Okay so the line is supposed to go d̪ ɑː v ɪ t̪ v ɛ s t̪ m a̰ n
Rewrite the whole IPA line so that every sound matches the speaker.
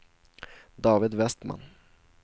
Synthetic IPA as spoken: d̪ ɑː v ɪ d̪ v ɛ s t̪ m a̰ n